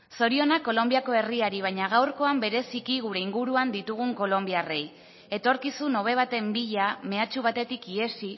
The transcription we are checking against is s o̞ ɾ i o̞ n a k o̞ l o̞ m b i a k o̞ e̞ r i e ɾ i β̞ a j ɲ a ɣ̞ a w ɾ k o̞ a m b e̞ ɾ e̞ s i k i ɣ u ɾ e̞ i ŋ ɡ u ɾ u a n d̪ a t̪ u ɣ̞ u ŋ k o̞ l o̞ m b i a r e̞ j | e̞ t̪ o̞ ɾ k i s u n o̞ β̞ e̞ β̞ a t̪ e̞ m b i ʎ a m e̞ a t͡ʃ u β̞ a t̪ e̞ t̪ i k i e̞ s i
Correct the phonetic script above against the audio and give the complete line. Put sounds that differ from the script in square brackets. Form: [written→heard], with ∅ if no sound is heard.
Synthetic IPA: s o̞ ɾ i o̞ n a k o̞ l o̞ m b i a k o̞ e̞ r i [e→a] ɾ i β̞ a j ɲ a ɣ̞ a w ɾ k o̞ a m b e̞ ɾ e̞ s i k i ɣ u ɾ e̞ i ŋ ɡ u ɾ u a n d̪ [a→i] t̪ u ɣ̞ u ŋ k o̞ l o̞ m b i a r e̞ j | e̞ t̪ o̞ ɾ k i s u n o̞ β̞ e̞ β̞ a t̪ e̞ m b i ʎ a m e̞ a t͡ʃ u β̞ a t̪ e̞ t̪ i k i e̞ s i